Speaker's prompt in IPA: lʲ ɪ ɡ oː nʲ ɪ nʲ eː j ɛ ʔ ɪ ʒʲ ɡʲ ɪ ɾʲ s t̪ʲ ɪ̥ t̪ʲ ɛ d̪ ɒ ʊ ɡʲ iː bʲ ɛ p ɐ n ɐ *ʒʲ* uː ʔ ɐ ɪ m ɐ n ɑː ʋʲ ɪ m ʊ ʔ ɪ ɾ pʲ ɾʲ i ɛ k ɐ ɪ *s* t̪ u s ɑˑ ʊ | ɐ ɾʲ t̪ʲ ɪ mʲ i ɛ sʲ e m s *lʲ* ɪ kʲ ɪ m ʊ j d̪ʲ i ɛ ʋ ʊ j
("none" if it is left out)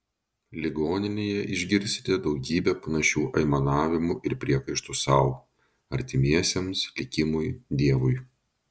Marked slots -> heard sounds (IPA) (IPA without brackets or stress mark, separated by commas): ʃʲ, ʃ, lʲ